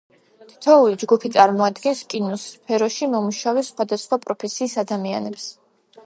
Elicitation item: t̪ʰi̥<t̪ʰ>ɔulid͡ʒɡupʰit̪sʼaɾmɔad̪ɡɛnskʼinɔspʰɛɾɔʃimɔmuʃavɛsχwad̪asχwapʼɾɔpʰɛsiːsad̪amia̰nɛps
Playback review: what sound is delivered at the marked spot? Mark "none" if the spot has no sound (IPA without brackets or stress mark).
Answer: t̪ʰ